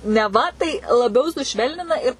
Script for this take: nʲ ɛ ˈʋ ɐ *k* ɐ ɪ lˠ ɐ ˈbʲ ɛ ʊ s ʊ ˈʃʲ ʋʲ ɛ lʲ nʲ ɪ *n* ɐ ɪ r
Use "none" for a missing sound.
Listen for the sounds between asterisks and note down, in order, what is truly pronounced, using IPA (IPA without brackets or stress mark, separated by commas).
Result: t, n